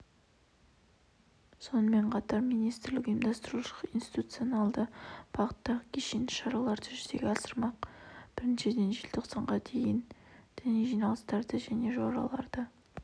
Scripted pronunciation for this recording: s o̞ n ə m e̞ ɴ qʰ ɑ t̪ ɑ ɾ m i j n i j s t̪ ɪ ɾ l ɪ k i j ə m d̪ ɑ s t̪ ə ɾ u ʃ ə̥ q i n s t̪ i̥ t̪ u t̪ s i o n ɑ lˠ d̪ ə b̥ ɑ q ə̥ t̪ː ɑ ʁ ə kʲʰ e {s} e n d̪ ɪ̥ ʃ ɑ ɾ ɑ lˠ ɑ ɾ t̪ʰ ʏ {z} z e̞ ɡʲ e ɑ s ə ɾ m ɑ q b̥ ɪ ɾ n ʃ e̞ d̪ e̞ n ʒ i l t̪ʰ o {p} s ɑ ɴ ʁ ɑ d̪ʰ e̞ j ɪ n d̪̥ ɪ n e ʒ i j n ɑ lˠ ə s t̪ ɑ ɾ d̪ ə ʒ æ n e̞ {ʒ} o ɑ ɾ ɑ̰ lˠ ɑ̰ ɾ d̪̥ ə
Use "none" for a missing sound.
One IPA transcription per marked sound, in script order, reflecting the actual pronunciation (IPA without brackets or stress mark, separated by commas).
ʃ, ʒ, q, ʒ